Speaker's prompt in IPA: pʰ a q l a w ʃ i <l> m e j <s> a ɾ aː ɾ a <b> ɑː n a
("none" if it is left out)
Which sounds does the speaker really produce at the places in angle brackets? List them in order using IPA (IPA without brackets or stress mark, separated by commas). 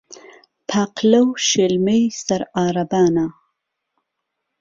l, s, b